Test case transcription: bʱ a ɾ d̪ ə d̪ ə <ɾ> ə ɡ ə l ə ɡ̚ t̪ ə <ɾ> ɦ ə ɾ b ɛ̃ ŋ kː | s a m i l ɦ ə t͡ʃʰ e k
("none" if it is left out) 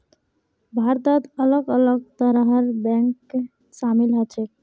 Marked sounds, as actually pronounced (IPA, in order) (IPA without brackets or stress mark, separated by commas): l, ɾ